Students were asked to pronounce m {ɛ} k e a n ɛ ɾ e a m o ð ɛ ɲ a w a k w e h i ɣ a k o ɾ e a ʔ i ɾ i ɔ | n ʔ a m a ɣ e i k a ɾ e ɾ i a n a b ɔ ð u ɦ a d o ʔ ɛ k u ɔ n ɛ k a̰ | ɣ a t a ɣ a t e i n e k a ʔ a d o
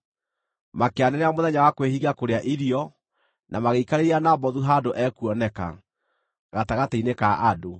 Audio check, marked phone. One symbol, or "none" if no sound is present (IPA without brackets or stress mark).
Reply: a